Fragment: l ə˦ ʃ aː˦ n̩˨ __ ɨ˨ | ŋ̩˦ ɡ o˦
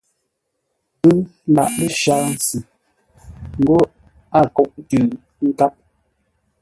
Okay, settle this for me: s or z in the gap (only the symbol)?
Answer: s